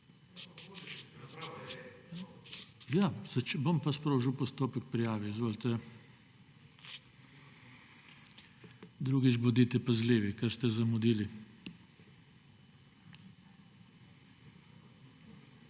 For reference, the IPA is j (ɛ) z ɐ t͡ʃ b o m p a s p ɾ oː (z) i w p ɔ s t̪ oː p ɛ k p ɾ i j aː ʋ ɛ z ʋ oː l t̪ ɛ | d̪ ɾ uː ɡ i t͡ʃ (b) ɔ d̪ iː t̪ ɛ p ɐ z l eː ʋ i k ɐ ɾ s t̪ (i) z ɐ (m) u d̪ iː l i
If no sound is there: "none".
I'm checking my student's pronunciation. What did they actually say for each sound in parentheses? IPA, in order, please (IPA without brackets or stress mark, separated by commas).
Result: a, ʒ, b, ɛ, m